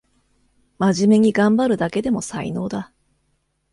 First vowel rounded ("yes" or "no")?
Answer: no